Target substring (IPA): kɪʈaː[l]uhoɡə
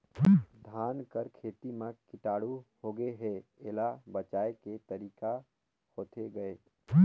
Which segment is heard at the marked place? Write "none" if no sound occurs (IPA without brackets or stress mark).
ɽ